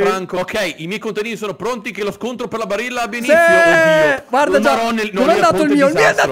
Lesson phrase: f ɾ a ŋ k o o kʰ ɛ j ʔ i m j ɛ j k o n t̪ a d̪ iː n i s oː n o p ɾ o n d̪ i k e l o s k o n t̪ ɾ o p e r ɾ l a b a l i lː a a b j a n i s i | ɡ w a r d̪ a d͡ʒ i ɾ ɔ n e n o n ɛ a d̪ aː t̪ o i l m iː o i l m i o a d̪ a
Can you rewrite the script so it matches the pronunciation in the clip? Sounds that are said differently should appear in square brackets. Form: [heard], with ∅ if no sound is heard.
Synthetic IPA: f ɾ a ŋ k o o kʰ ɛ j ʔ i m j ɛ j k o n t̪ a d̪ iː n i s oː n o p ɾ o n [t̪] i k e l o s k o n t̪ ɾ o p e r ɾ l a b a [ɾ] i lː a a b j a n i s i | ɡ w a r d̪ a d͡ʒ [a] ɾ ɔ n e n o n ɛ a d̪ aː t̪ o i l m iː o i l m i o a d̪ a